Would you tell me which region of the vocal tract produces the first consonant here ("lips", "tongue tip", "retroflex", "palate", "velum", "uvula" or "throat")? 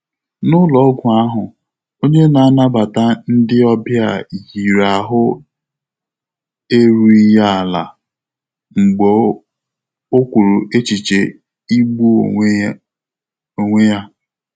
tongue tip